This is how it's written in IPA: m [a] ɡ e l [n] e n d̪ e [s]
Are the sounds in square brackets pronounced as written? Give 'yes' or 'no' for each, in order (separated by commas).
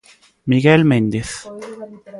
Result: no, no, no